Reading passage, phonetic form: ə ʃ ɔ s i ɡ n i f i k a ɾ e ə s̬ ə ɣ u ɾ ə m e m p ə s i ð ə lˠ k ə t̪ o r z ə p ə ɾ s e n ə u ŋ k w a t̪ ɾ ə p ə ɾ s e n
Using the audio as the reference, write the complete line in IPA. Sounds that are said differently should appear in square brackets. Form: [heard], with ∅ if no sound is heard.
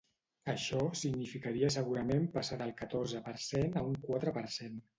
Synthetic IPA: ə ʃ ɔ s i ɡ n i f i k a ɾ [i] ə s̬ ə ɣ u ɾ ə m e m p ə s [a] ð ə lˠ k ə t̪ o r z ə p ə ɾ s e n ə u ŋ k w a t̪ ɾ ə p ə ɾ s e n

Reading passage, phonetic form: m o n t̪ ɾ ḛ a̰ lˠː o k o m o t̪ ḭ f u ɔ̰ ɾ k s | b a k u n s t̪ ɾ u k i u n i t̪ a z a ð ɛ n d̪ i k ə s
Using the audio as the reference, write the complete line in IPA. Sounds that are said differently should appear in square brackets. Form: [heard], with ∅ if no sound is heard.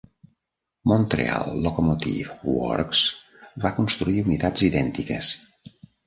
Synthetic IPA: m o n t̪ ɾ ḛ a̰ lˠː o k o m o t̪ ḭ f [w] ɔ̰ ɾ k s | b a k u n s t̪ ɾ u [∅] i u n i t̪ a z [i] ð ɛ n [t̪] i k ə s

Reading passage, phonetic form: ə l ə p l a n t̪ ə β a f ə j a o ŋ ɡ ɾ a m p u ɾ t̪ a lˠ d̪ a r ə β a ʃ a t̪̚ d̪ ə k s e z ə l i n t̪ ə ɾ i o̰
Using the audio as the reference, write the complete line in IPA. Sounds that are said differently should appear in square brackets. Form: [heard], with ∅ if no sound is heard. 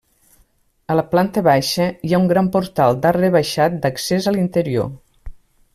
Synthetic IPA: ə l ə p l a n t̪ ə β a [ʃ] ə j a [u] ŋ ɡ ɾ a m p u ɾ t̪ a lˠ d̪ a r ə β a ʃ a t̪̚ d̪ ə k s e z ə l i n t̪ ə ɾ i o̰

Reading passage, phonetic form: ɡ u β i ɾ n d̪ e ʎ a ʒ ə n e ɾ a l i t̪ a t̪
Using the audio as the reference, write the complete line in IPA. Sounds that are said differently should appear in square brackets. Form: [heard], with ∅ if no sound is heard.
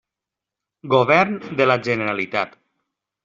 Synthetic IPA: ɡ [o] β [ɛ] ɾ n d̪ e [l] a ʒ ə n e ɾ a l i t̪ a t̪

